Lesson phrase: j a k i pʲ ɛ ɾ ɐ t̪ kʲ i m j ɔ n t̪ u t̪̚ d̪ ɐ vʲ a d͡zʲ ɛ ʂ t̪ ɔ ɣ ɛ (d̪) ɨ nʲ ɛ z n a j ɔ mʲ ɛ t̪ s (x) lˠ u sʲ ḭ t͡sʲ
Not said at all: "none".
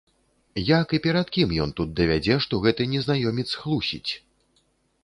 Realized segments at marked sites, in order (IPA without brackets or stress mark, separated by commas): t̪, x